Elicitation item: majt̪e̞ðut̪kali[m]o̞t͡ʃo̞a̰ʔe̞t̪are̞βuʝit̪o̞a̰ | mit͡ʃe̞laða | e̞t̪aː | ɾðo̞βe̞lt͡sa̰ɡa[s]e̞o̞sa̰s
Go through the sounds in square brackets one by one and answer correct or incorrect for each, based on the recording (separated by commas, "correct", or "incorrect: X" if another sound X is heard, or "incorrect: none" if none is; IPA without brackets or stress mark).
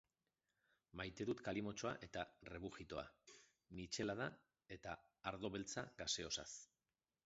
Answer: correct, correct